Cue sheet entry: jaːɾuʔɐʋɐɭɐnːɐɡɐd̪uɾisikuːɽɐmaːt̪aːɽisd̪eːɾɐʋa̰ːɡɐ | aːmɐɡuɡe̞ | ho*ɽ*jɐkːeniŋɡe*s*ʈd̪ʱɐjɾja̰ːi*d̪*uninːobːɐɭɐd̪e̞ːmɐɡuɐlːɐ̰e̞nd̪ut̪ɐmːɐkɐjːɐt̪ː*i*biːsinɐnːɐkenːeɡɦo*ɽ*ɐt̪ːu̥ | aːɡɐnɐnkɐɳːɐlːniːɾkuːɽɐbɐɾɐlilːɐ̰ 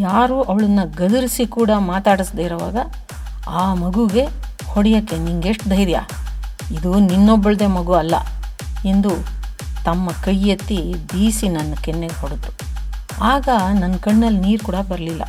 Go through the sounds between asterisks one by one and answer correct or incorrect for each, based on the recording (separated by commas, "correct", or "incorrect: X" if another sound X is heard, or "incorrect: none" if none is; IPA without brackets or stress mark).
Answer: correct, incorrect: ʂ, correct, correct, correct